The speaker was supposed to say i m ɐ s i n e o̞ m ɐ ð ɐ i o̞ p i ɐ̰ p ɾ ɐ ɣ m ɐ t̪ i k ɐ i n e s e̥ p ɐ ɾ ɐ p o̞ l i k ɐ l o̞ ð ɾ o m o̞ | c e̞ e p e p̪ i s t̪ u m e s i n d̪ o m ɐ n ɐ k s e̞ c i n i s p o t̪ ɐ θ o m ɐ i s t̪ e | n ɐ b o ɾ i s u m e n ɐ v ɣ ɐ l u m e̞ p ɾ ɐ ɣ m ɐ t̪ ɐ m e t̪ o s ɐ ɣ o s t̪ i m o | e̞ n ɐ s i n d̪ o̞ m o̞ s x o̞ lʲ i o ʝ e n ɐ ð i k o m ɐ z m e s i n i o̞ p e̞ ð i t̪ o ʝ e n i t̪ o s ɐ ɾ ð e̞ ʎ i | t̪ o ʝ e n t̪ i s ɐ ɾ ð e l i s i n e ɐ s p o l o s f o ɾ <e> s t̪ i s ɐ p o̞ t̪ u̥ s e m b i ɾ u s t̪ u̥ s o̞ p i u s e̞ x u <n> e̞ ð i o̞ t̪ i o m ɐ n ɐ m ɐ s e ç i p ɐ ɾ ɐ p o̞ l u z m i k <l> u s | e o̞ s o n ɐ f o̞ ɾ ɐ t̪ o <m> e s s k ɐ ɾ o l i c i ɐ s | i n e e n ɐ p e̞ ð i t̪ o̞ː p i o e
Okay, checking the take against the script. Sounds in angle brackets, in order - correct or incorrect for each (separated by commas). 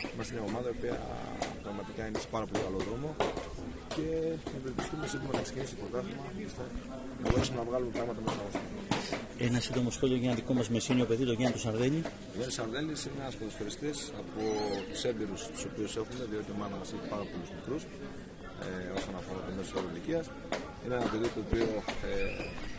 incorrect, incorrect, incorrect, correct